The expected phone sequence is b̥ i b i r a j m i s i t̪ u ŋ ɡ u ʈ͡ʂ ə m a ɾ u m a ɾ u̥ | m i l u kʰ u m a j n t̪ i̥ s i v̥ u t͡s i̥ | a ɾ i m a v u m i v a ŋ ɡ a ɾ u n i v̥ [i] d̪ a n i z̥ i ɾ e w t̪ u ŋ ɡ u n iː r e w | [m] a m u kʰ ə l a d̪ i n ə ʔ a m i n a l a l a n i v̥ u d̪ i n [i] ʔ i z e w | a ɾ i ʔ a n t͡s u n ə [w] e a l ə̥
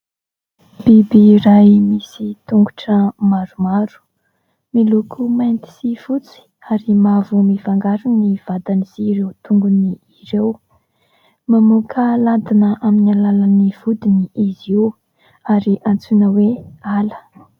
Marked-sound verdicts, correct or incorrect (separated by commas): incorrect, correct, correct, correct